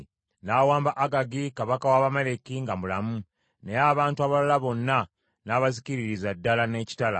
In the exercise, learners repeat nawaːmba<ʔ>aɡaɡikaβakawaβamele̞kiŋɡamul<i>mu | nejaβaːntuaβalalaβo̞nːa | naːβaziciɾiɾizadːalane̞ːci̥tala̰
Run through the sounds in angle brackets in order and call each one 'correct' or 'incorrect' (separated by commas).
correct, incorrect